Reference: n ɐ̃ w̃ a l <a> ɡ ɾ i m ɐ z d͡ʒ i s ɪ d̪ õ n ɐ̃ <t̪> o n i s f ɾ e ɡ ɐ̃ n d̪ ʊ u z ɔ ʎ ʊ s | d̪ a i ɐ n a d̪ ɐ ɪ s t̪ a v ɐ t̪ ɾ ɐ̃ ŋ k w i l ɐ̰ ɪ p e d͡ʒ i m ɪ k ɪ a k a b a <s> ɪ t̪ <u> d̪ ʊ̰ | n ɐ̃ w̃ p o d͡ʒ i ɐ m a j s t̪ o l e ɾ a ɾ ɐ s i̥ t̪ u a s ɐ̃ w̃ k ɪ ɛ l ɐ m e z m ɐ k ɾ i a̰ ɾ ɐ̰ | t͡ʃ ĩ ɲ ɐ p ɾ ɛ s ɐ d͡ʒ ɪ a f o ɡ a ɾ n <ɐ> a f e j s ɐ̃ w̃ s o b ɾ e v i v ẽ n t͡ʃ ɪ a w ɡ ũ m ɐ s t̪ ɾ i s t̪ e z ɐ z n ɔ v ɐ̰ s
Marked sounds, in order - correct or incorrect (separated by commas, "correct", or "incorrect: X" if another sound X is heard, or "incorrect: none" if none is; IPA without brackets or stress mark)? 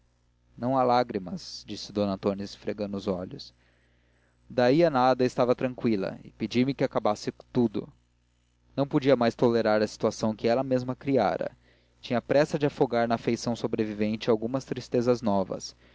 correct, correct, correct, correct, correct